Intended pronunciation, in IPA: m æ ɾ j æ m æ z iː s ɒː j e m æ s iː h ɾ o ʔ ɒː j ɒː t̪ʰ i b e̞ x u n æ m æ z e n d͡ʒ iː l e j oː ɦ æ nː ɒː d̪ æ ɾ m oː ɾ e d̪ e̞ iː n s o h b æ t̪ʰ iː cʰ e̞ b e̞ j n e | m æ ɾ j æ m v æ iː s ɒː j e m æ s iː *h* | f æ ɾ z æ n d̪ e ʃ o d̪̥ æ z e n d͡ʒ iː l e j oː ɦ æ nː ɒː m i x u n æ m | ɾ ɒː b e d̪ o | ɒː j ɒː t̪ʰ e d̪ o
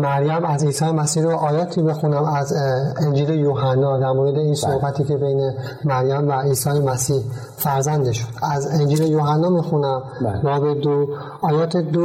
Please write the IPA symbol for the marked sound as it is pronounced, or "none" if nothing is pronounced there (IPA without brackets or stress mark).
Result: h